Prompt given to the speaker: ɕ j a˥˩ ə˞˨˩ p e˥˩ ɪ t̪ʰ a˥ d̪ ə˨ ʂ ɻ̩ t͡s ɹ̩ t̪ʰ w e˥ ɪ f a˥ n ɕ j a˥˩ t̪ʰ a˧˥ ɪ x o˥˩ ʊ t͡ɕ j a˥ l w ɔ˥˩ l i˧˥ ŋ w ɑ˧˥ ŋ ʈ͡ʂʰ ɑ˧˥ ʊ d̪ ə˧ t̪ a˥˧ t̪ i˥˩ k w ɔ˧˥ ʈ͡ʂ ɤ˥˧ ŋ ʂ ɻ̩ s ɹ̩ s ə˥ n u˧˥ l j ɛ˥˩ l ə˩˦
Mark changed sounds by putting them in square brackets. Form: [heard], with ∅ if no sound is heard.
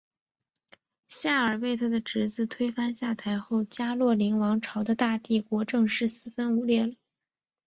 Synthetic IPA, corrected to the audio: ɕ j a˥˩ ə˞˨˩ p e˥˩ ɪ t̪ʰ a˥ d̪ ə˨ [ʈ͡ʂ] ɻ̩ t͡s ɹ̩ t̪ʰ w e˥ ɪ f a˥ n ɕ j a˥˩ t̪ʰ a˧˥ ɪ x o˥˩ ʊ t͡ɕ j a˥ l w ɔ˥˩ l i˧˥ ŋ w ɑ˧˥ ŋ ʈ͡ʂʰ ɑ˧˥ ʊ d̪ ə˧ t̪ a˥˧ t̪ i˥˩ k w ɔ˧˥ ʈ͡ʂ ɤ˥˧ ŋ ʂ ɻ̩ s ɹ̩ [f] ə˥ n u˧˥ l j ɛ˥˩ l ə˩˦